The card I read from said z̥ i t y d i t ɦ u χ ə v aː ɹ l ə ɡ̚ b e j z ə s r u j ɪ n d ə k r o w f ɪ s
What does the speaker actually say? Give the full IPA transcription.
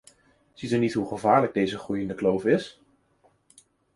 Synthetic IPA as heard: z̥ i t y n i t ɦ u χ ə v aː ɹ l ə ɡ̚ d e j z ə χ r u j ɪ n d ə k l o w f ɪ s